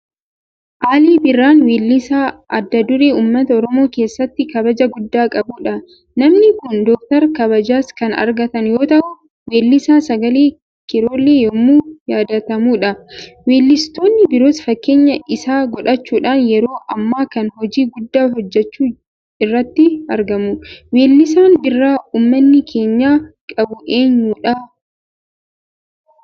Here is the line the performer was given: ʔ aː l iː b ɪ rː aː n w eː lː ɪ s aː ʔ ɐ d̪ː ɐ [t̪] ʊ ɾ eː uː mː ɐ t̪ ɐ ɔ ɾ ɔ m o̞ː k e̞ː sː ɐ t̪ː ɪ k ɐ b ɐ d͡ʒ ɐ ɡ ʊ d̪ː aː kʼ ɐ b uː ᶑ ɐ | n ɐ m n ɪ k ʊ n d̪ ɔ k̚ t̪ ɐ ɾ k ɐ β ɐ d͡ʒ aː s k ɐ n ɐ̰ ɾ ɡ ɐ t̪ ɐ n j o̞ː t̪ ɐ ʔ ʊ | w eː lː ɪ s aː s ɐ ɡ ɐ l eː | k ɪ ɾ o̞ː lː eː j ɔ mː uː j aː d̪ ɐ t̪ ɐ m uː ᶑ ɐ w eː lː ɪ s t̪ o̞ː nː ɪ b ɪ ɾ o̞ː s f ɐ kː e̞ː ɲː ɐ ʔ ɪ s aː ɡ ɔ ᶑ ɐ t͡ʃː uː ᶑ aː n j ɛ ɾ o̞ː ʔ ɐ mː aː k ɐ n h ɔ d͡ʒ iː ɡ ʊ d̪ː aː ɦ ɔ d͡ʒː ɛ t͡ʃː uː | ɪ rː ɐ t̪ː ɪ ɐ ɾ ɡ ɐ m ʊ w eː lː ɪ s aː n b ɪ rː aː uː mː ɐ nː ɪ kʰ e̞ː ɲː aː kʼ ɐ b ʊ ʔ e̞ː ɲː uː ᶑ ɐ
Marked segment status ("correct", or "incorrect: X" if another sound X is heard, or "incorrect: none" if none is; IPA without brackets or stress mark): incorrect: d̪